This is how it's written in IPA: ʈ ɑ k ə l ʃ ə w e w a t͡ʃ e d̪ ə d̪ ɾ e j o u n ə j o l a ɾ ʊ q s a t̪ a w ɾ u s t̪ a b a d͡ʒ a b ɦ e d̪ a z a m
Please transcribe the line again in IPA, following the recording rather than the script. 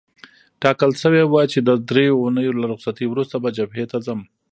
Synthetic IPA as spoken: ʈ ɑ k ə l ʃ ə w e w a t͡ʃ e d̪ ə d̪ ɾ e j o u n ə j o l a ɾ ʊ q s a t̪ i w ɾ u s t̪ a b a d͡ʒ a b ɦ e t̪ a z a m